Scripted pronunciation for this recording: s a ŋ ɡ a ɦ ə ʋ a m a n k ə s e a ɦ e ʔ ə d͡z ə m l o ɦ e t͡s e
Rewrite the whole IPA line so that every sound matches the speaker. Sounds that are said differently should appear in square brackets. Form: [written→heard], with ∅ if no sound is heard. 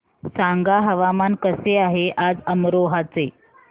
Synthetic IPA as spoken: s a ŋ ɡ a ɦ ə ʋ a m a n k ə s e a ɦ e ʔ [ə→a] d͡z ə m [l→ɾ] o ɦ [e→a] t͡s e